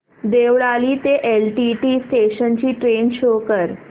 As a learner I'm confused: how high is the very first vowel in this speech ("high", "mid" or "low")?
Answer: mid